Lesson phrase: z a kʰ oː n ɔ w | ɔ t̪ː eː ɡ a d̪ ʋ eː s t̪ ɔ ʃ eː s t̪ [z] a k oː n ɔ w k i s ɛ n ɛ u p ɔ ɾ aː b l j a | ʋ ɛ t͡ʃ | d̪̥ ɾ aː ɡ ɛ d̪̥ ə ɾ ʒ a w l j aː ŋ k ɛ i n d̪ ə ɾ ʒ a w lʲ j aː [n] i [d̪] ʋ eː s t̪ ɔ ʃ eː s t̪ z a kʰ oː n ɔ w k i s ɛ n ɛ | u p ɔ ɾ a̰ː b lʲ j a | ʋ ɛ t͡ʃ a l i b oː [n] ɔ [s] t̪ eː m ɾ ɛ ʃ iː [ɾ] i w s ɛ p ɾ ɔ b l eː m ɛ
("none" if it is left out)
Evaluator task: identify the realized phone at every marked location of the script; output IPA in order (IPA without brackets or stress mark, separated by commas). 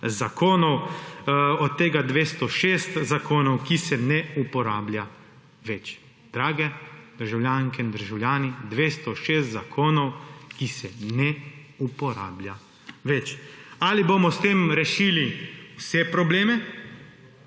z, n, d̪, m, s, l